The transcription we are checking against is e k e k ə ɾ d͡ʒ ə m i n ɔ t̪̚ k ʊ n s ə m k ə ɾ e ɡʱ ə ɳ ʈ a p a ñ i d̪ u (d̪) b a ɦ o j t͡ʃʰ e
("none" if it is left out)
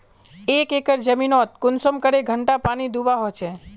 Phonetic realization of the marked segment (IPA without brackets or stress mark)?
none